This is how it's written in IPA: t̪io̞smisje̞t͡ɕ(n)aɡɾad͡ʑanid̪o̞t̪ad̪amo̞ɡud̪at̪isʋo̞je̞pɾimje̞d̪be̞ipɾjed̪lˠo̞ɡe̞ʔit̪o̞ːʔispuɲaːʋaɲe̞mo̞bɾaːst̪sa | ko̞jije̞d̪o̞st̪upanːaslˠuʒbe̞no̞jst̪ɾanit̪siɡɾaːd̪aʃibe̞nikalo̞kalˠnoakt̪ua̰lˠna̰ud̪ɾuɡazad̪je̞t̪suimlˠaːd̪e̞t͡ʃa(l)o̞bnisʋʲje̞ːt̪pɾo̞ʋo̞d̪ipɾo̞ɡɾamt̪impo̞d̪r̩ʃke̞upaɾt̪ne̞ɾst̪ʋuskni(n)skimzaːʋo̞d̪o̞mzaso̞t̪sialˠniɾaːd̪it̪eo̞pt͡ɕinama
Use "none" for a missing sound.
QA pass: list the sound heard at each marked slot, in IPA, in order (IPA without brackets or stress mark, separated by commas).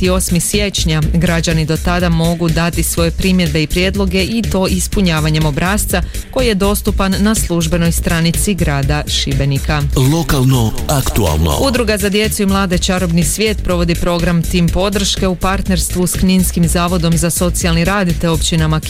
ɲ, ɾ, n